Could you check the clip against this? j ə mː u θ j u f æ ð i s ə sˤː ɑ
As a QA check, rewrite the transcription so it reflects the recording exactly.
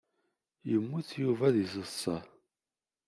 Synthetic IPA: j ə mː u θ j u v æ ð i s ə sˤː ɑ

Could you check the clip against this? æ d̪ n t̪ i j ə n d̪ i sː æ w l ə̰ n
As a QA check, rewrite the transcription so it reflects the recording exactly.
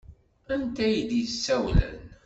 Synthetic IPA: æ n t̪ æ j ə d̪ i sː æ w l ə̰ n

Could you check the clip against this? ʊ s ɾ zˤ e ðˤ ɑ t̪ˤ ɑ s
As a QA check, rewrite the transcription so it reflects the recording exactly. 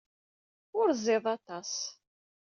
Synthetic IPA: ʊ ɾ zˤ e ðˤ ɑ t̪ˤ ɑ s

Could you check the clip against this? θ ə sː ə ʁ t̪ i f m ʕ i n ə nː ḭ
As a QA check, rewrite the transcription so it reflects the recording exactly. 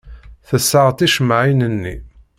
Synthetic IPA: θ ə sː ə ʁ t̪ i ʃ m ʕ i n ə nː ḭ

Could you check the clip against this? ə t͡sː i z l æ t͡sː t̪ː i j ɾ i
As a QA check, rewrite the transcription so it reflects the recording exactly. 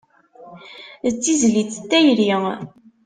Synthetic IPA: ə t͡sː i z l i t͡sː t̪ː æ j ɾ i

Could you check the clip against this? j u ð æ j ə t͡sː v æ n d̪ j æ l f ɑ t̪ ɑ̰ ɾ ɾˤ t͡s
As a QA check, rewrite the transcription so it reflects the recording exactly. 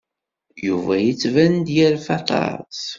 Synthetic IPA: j u v æ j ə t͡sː v æ n d̪ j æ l f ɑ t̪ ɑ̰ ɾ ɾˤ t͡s

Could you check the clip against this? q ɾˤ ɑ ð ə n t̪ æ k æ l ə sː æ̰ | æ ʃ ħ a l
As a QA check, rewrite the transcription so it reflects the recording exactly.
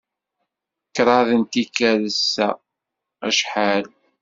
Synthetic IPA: k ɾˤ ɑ ð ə n t̪ i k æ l ə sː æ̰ | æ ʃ ħ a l

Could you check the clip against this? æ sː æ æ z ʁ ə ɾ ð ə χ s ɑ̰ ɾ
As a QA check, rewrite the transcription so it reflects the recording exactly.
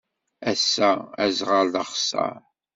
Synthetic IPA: æ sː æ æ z ʁ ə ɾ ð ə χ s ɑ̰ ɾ

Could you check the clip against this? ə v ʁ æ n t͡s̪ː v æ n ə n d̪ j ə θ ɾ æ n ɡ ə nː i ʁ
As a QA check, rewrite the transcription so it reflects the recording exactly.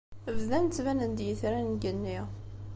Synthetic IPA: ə v ð æ n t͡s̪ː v æ n ə n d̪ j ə θ ɾ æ n ɡ ə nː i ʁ

